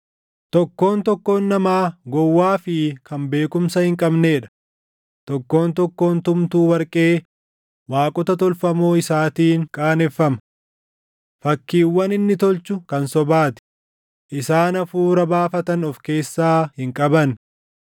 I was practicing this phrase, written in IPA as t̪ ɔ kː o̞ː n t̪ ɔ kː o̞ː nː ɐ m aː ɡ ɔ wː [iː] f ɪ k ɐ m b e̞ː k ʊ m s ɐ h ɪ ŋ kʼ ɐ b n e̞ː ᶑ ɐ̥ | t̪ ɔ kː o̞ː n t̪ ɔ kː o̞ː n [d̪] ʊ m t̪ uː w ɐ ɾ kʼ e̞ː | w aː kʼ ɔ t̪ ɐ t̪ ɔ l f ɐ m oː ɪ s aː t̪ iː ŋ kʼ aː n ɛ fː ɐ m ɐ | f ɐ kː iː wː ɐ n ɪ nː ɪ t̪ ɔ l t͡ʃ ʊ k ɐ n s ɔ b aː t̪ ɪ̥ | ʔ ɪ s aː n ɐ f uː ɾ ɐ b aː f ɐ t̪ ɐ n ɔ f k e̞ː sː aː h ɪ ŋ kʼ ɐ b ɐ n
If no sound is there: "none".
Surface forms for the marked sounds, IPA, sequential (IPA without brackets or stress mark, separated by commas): aː, t̪